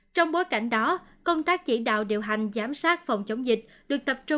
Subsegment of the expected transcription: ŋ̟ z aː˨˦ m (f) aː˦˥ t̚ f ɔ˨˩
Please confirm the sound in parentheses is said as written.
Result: no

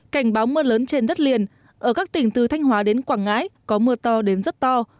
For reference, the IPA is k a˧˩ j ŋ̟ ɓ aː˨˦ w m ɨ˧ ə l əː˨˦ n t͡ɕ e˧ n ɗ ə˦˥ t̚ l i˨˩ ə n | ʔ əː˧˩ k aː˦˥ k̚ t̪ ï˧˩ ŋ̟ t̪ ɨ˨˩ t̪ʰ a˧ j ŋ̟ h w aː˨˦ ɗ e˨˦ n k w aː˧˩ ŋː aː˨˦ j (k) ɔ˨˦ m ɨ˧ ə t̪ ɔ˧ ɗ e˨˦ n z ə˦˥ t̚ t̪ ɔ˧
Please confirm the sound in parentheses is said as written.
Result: yes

